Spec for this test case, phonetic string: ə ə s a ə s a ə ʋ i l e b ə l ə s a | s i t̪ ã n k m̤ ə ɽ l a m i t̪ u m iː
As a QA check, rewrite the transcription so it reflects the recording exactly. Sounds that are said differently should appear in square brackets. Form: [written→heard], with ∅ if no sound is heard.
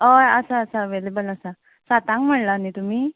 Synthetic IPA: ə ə s a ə s a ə ʋ [i→e] l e b ə l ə s a | s [i→a] t̪ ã [n→ŋ] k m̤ ə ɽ l a [m→n] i t̪ u m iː